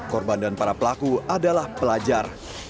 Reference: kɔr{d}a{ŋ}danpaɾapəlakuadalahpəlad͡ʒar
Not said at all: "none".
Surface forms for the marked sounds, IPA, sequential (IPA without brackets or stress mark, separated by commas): b, n